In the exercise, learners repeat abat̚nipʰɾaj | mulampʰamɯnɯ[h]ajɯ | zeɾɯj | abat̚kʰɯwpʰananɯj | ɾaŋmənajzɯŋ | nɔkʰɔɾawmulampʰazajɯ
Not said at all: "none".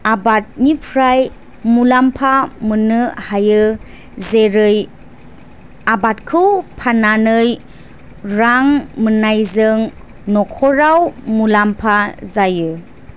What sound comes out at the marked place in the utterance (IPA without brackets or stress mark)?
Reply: h